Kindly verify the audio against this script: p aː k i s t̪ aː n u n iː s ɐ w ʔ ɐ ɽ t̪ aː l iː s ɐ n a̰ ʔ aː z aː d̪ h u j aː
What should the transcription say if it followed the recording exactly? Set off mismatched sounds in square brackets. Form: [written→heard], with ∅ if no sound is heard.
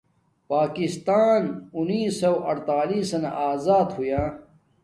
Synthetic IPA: p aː k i s t̪ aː n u n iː s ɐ w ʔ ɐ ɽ t̪ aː l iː s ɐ n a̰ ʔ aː z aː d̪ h u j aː